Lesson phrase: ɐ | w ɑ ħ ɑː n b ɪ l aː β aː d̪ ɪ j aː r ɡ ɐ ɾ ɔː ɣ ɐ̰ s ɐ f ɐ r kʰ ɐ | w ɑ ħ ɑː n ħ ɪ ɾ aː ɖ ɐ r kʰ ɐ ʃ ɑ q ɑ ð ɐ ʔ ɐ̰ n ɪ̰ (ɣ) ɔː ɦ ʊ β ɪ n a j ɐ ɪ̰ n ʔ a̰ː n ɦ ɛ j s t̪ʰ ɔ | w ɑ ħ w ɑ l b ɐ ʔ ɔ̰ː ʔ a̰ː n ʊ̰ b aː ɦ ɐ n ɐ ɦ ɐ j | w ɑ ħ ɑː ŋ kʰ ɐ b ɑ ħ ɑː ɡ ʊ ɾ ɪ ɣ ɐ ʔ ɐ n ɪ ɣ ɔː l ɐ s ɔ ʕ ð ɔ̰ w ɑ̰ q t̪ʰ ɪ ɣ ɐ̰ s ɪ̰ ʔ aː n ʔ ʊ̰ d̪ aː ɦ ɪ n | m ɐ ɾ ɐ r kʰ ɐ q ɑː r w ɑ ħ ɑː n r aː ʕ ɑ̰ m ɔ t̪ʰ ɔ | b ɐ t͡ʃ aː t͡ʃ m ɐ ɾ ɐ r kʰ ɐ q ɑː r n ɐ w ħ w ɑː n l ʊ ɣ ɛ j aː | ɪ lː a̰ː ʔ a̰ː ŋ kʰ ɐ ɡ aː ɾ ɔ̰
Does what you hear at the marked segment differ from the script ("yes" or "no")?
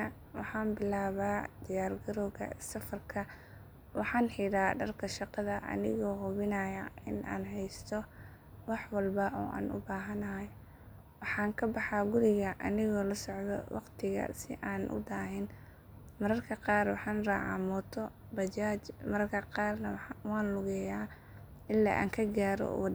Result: no